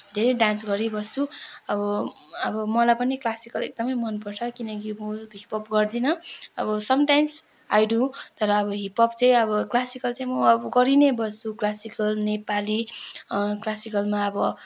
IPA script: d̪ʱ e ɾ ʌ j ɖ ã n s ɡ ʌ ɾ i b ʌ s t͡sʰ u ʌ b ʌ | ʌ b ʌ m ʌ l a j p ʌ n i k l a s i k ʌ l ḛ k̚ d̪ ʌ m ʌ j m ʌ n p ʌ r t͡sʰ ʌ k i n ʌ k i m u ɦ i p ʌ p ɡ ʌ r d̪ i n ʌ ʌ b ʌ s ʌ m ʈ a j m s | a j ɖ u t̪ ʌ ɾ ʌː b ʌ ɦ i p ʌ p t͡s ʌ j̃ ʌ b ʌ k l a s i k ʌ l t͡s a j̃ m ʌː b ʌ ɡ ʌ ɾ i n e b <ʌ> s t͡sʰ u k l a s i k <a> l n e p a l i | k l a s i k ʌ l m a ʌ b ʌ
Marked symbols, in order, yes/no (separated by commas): yes, no